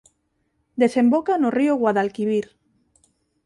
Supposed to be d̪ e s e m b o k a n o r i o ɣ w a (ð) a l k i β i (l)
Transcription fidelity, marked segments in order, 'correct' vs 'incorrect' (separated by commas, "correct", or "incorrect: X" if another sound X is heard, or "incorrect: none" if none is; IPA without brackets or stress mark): correct, incorrect: ɾ